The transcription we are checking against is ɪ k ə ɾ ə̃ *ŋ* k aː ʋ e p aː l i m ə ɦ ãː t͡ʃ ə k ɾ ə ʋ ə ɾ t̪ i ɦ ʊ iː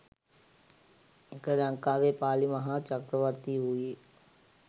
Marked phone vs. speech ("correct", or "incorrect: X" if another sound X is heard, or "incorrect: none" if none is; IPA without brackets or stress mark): correct